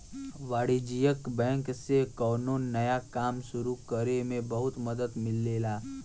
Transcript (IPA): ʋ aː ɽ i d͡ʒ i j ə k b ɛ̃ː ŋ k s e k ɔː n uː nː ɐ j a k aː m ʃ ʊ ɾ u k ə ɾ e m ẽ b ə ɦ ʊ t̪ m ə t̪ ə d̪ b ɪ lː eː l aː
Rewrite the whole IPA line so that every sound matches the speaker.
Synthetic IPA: ʋ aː ɽ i d͡ʒ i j ə k b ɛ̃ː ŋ k s e k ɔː n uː nː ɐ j a k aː m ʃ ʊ ɾ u k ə ɾ e m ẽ b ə ɦ ʊ t̪ m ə d̪ ə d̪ m ɪ lː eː l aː